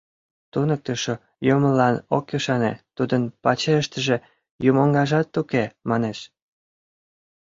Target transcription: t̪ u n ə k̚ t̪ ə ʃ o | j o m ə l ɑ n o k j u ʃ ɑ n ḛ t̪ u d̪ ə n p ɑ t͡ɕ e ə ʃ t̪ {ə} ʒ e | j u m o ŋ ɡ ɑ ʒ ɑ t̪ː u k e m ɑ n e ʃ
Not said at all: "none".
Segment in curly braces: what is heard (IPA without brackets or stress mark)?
ə